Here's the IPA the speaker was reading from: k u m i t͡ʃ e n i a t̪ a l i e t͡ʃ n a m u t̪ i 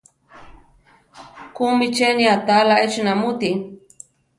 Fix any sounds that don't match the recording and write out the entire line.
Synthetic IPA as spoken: k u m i t͡ʃ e n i a t̪ a l a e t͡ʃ n a m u t̪ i